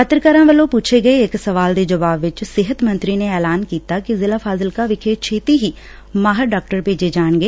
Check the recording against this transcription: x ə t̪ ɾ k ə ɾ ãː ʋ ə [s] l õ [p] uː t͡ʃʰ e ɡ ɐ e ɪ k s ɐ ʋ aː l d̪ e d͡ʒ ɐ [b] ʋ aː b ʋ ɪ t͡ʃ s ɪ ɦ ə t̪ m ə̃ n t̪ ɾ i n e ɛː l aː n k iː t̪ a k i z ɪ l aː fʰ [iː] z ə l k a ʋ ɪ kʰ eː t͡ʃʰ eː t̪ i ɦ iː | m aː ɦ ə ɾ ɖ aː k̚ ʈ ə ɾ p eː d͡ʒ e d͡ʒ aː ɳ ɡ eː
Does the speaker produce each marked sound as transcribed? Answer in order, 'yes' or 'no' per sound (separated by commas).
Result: no, yes, no, no